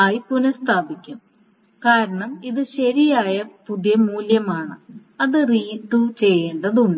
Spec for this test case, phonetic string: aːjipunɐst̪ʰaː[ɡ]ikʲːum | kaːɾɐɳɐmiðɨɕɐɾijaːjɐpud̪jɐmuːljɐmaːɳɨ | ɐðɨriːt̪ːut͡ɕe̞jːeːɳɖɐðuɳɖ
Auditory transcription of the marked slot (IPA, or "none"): b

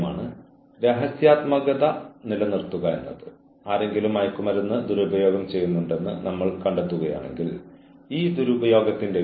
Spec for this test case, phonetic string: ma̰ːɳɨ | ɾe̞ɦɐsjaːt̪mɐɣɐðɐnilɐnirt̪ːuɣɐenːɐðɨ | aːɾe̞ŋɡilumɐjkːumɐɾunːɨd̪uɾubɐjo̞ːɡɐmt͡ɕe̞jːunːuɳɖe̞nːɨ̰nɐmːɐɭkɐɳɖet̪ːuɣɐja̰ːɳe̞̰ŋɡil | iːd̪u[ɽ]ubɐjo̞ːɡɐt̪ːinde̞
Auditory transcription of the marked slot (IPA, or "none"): ɾ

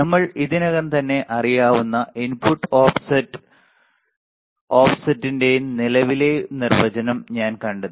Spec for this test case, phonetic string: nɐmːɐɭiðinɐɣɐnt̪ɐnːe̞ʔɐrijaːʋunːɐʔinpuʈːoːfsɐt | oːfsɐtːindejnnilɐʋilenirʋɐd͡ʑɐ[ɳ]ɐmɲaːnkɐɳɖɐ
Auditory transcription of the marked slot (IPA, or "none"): n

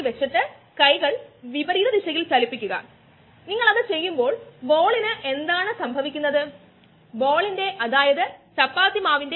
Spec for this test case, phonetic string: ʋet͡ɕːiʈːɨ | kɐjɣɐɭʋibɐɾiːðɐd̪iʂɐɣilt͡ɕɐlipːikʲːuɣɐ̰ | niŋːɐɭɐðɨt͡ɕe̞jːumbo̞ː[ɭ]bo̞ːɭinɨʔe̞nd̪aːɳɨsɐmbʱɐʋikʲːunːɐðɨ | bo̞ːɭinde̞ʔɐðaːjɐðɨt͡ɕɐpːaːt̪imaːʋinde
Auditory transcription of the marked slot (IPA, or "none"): ɭ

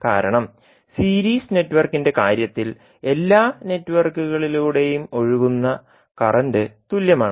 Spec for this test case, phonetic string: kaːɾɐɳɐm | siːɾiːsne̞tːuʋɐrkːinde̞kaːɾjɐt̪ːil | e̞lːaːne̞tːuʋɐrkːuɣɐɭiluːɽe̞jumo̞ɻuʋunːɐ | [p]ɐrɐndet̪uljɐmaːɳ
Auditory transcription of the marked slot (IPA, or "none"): k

